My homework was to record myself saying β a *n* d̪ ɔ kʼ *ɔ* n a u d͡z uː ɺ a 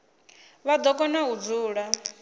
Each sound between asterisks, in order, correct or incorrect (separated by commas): incorrect, correct